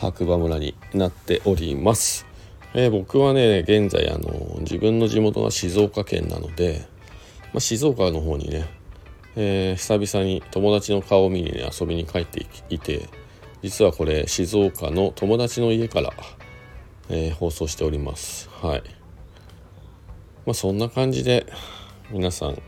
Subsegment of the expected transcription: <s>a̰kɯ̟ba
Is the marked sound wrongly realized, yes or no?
yes